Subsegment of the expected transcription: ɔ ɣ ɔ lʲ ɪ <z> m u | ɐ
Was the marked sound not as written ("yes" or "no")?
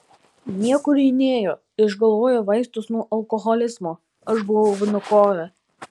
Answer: no